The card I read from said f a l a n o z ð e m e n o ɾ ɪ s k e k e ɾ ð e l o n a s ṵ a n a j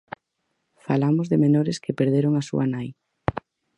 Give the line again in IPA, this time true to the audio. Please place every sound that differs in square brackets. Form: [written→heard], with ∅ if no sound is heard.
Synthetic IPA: f a l a [n→m] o z ð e m e n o ɾ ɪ s k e [k→p] e ɾ ð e [l→ɾ] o [n→ŋ] a s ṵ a n a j